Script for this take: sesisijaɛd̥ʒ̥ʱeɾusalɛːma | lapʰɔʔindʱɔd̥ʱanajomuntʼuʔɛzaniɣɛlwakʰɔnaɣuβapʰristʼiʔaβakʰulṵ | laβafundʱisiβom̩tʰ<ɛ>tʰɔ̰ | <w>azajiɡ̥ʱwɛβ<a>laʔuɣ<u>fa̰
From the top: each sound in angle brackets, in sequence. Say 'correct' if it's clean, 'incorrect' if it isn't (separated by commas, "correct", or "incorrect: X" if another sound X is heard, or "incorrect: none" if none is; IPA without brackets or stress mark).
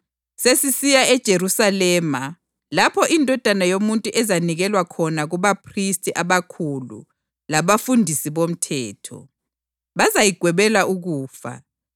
incorrect: ɛː, incorrect: β, incorrect: ɛ, incorrect: uː